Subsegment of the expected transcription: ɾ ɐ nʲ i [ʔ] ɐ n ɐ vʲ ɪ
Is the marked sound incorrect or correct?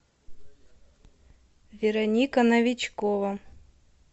incorrect